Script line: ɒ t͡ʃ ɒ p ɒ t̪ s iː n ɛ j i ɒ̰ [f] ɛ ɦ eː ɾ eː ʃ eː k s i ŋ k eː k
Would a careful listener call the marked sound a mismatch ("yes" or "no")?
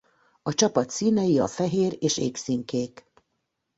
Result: no